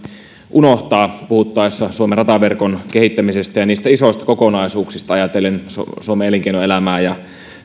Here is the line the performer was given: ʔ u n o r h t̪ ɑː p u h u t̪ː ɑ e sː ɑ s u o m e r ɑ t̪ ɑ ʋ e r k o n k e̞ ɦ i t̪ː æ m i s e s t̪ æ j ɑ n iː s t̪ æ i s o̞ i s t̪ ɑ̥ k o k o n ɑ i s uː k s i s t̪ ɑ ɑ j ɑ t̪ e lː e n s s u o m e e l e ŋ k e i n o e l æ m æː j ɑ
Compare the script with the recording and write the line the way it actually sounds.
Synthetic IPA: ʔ u n o h t̪ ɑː p u h u t̪ː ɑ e sː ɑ s u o m e r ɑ t̪ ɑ ʋ e r k o n k e̞ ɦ i t̪ː æ m i s e s t̪ æ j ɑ n iː s t̪ æ i s o̞ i s t̪ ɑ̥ k o k o n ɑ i s uː k s i s t̪ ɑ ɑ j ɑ t̪ e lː e n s s u o m e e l e ŋ k e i n o e l æ m æː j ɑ